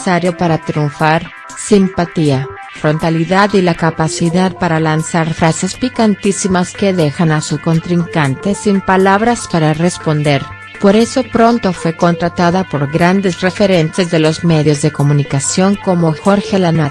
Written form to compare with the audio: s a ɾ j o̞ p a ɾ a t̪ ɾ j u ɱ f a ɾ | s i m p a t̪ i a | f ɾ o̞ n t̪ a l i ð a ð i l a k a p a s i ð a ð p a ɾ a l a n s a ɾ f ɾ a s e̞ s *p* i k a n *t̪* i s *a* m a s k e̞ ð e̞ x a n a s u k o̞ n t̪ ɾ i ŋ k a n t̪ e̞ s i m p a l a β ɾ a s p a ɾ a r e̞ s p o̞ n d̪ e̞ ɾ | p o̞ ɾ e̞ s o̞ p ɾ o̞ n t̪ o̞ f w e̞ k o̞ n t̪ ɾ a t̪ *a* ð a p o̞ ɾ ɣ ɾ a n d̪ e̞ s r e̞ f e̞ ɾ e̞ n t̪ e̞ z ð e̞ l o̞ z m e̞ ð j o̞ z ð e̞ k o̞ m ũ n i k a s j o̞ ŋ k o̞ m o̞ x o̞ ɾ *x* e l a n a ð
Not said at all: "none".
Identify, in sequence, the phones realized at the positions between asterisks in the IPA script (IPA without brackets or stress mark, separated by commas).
p, t̪, i, a, x